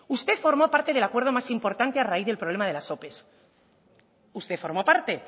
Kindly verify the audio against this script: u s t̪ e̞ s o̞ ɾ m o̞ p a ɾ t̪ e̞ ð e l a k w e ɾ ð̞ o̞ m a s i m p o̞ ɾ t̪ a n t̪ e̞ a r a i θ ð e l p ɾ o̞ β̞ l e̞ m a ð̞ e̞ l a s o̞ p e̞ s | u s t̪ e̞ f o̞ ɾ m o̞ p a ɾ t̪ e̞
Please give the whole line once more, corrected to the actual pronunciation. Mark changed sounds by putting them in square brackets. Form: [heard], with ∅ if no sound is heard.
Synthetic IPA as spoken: u s t̪ e̞ [f] o̞ ɾ m o̞ p a ɾ t̪ e̞ ð e l a k w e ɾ ð̞ o̞ m a s i m p o̞ ɾ t̪ a n t̪ e̞ a r a i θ ð e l p ɾ o̞ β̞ l e̞ m a ð̞ e̞ l a s o̞ p e̞ s | u s t̪ e̞ f o̞ ɾ m o̞ p a ɾ t̪ e̞

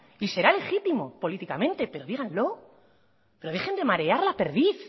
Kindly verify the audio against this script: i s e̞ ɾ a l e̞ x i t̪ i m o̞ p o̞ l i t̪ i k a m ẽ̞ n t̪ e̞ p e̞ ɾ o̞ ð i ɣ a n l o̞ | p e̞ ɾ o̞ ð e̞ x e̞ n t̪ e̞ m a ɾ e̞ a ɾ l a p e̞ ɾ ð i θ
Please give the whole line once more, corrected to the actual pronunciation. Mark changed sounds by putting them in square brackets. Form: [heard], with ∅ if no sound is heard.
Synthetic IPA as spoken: i s e̞ ɾ a l e̞ x i t̪ i m o̞ p o̞ l i t̪ i k a m ẽ̞ n t̪ e̞ p e̞ ɾ o̞ ð i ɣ a n l o̞ | p e̞ ɾ o̞ ð e̞ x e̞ n [d̪] e̞ m a ɾ e̞ a ɾ l a p e̞ ɾ ð i θ

